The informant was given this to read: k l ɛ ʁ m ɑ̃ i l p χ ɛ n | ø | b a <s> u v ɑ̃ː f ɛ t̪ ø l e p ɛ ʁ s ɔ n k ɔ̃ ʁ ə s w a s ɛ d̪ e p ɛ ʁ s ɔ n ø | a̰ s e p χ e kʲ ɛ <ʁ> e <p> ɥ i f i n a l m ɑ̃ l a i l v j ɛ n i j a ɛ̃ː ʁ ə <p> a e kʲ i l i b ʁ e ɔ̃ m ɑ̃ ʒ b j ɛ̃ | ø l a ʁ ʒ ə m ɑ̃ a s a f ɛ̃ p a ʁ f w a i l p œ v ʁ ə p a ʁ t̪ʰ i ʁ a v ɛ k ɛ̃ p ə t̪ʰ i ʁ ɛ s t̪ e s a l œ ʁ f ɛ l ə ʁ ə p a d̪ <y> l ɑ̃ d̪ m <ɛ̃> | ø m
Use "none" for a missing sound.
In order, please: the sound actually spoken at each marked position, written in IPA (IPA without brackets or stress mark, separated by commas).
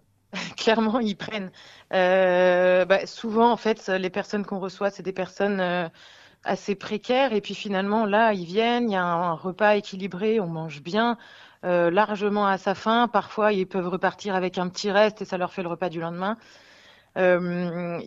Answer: s, ʁ, p, p, y, ɛ̃